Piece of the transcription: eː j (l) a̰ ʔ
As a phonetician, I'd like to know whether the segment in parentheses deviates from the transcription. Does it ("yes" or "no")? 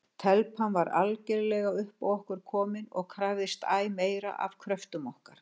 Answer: yes